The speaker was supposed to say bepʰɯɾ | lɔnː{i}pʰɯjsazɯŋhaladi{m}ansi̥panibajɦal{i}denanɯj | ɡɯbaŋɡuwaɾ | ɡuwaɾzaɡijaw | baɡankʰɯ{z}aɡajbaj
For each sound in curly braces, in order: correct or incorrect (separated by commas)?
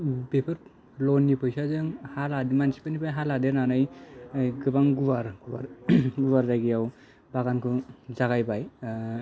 correct, correct, incorrect, correct